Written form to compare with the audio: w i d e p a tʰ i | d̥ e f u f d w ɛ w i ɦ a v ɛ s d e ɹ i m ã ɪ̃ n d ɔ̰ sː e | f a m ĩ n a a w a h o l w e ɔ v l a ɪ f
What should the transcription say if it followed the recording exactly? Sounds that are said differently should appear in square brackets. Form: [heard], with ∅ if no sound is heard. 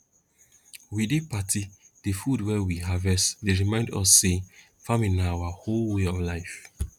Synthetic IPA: w i d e p a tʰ i | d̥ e f u [∅] d w ɛ w i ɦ a v ɛ s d e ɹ i m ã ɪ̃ n d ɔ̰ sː e | f a m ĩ n a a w a h o l w e ɔ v l a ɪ f